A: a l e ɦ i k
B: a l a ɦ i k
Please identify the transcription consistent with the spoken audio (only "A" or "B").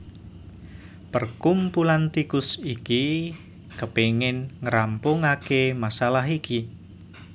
B